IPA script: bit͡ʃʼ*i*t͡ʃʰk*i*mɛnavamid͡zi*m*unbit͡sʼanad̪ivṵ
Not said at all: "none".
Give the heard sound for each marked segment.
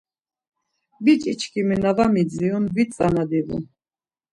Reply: i, i, none

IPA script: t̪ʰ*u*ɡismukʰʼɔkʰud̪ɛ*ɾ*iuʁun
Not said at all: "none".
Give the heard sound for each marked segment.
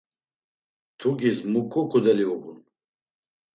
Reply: u, l

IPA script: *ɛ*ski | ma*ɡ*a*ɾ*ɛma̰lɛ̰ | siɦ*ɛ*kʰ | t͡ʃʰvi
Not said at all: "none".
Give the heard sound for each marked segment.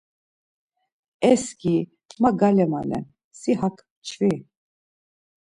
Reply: ɛ, ɡ, l, a

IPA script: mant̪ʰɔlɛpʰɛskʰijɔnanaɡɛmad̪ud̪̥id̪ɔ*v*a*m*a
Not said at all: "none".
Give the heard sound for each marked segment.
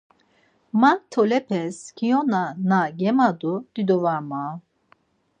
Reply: v, m

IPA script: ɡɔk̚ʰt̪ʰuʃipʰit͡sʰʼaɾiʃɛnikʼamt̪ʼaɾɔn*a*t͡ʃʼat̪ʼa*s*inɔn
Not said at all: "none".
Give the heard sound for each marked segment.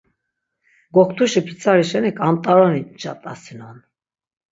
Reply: i, s

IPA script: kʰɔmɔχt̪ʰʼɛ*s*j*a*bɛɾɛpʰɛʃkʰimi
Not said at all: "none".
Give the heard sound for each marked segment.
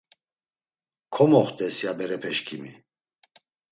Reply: s, a

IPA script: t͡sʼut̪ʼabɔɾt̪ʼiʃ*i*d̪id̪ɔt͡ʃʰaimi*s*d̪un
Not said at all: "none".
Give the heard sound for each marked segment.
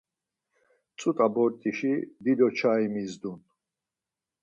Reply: i, z

